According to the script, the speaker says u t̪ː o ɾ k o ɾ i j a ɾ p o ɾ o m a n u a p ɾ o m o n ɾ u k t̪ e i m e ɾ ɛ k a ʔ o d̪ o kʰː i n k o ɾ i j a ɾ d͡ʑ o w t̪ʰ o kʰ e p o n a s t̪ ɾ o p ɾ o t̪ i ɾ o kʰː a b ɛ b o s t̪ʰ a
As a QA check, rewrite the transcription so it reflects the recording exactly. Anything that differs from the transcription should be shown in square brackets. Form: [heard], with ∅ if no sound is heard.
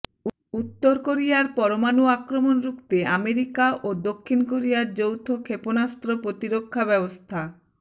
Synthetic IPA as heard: u t̪ː o ɾ k o ɾ i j a ɾ p [ɔ] ɾ o m a n u a [k] ɾ o m o n ɾ u k t̪ e [a] m e ɾ [i] k a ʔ o d̪ o kʰː i n k o ɾ i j a ɾ d͡ʑ o w t̪ʰ o kʰ e p o n a s t̪ ɾ o p ɾ o t̪ i ɾ o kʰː a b ɛ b o s t̪ʰ a